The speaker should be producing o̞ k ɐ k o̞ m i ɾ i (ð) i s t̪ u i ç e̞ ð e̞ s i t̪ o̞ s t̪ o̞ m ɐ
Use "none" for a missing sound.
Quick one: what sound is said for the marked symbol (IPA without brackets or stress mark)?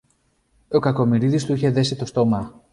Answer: ð